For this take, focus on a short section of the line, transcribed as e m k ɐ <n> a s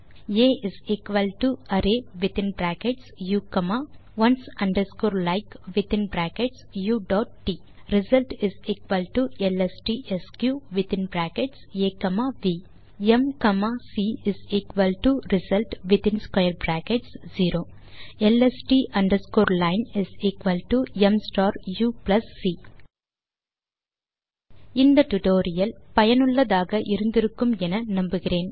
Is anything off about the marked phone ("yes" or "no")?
yes